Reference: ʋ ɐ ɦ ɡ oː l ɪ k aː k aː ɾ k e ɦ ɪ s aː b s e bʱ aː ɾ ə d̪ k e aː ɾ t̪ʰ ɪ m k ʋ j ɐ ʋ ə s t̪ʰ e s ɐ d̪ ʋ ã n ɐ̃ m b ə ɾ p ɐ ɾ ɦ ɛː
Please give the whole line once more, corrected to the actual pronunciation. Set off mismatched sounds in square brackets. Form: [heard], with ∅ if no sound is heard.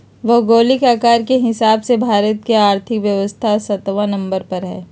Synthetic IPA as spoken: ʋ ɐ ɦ ɡ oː l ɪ k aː k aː ɾ k e ɦ ɪ s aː b s e bʱ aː ɾ ə [t̪] k e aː ɾ t̪ʰ ɪ [∅] k ʋ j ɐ ʋ ə s t̪ʰ [a] s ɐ [t̪] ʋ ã n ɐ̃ m b ə ɾ p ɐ ɾ ɦ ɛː